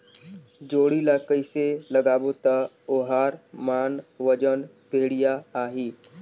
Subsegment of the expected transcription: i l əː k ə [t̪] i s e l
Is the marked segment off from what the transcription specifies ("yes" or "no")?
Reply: yes